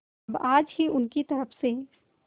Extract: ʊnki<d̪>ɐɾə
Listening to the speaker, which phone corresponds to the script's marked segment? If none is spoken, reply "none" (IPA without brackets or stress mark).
t̪